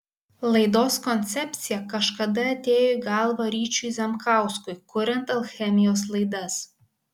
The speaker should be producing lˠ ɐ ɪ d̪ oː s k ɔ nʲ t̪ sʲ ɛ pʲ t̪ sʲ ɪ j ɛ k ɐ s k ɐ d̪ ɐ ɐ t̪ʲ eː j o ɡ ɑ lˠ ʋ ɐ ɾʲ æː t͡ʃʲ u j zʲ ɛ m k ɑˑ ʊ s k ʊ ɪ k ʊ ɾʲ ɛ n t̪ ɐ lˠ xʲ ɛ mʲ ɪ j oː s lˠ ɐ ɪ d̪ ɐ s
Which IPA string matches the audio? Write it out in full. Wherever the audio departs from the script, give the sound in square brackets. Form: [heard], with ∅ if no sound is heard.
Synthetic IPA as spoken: lˠ ɐ ɪ d̪ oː s k ɔ nʲ t̪ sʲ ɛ pʲ t̪ sʲ ɪ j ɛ k ɐ [ʃ] k ɐ d̪ ɐ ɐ t̪ʲ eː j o ɡ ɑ lˠ ʋ ɐ ɾʲ [iː] t͡ʃʲ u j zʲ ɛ m k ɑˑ ʊ s k ʊ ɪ k ʊ ɾʲ ɛ n t̪ ɐ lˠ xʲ ɛ mʲ ɪ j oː s lˠ ɐ ɪ d̪ ɐ s